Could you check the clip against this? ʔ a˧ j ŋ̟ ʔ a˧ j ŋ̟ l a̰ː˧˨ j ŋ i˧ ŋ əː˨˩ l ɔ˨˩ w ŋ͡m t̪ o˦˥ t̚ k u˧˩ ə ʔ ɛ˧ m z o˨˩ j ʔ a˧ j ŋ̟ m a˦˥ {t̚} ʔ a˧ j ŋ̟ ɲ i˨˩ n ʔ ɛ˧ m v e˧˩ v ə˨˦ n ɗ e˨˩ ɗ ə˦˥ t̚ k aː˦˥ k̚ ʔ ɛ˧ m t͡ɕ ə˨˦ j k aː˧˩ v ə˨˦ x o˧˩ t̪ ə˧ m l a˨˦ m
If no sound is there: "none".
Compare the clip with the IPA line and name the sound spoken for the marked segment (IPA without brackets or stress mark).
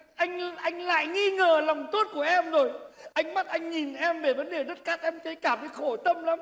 t̚